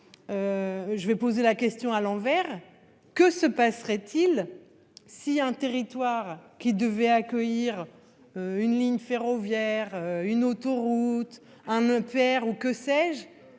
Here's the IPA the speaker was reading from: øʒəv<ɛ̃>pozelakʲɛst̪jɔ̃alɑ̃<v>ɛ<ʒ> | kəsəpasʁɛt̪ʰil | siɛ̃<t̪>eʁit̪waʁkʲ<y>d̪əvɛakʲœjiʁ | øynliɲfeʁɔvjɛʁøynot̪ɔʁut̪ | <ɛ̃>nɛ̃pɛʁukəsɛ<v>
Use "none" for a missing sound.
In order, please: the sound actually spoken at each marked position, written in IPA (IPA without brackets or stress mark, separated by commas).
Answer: ɛ, v, ʁ, t̪, i, ɛ̃, ʒ